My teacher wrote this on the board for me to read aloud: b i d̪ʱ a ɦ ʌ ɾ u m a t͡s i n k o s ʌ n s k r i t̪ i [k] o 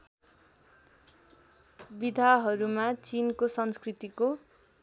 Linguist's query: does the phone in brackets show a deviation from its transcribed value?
no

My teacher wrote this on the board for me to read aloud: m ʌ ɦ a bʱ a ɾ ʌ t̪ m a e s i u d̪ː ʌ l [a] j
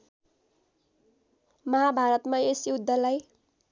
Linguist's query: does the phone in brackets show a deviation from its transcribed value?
no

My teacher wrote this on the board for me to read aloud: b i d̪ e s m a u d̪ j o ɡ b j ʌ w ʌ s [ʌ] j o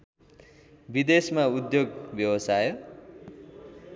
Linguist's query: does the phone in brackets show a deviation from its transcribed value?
yes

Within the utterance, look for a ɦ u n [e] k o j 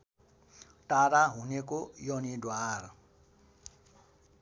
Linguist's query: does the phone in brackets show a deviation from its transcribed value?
no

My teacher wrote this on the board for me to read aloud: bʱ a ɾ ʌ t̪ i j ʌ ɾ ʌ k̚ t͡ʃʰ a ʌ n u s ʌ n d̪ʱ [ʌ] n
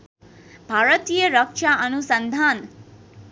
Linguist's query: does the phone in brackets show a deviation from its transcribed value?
yes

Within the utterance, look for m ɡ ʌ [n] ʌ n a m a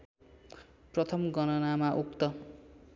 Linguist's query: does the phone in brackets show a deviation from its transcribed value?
no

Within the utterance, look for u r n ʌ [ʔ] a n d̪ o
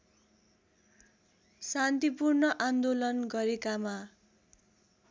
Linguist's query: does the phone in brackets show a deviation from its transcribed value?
no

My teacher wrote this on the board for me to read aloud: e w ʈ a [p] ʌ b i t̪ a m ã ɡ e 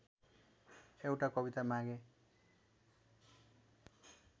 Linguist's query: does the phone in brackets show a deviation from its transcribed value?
yes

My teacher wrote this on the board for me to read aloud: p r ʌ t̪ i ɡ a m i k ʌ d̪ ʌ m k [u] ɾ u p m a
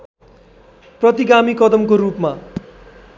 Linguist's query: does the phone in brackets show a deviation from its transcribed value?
yes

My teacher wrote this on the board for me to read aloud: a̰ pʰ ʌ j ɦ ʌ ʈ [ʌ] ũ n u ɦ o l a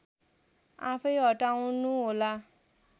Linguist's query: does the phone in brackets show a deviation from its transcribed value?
yes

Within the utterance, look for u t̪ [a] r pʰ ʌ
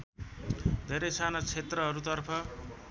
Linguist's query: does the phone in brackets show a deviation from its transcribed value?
yes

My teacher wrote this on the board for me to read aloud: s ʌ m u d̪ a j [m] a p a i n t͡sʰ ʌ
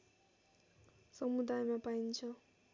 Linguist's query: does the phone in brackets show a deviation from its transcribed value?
no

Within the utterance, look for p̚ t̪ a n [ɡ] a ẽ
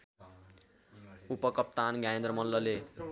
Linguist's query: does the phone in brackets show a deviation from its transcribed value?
no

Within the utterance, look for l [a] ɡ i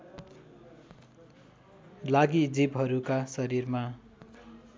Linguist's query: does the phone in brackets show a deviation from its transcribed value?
no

